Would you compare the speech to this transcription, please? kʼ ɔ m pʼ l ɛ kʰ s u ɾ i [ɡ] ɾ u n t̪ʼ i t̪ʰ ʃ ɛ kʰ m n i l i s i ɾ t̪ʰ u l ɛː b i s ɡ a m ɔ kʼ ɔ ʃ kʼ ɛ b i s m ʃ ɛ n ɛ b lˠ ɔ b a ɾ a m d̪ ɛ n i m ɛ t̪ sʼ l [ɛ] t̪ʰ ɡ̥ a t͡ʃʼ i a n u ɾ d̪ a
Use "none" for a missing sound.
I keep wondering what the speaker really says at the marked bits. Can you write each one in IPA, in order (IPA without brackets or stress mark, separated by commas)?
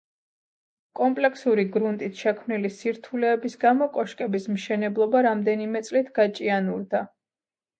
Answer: ɡ, i